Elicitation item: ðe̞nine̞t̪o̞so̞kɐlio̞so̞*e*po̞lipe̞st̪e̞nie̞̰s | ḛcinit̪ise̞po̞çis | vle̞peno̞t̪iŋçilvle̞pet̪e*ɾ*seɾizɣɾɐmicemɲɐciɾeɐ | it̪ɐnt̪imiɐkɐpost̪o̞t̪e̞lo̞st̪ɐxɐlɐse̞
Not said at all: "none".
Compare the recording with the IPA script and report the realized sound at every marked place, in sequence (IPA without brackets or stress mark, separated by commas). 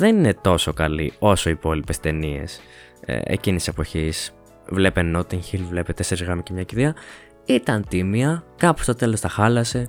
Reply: i, none